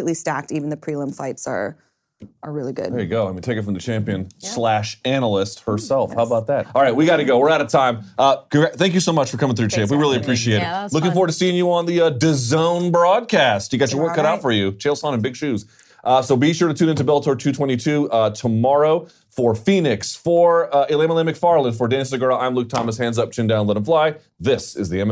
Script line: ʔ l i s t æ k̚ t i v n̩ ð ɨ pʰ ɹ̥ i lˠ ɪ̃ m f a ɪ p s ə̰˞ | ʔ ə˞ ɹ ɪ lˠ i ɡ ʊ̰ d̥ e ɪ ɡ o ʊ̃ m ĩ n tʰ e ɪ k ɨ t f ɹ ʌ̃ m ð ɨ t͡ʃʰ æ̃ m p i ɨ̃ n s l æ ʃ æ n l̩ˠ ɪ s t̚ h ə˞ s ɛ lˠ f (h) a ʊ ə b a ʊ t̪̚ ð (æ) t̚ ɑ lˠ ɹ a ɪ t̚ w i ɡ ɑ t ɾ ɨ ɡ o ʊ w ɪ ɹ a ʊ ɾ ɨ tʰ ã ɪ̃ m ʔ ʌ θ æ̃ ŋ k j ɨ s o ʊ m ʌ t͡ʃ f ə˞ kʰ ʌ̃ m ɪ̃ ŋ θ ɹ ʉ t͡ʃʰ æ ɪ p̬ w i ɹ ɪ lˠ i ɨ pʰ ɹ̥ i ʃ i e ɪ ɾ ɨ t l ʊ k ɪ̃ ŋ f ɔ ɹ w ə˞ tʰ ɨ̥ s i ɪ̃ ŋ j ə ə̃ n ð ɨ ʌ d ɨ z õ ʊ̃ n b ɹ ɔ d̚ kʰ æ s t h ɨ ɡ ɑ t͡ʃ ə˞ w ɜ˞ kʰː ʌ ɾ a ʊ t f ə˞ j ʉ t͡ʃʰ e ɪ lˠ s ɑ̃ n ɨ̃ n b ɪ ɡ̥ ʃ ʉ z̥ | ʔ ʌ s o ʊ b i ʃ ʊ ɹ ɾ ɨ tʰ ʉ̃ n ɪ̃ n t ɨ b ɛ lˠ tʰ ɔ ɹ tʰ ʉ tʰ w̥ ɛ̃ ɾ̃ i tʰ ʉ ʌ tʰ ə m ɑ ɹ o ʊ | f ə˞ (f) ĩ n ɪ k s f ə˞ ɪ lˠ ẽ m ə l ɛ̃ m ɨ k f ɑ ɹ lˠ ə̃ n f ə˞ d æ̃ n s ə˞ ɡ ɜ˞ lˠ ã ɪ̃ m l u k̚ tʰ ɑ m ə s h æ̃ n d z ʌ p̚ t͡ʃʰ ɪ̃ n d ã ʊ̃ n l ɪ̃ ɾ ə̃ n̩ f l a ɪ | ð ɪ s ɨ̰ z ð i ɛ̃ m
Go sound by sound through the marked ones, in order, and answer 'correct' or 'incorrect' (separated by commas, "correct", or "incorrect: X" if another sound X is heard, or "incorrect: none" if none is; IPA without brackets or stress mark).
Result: correct, correct, correct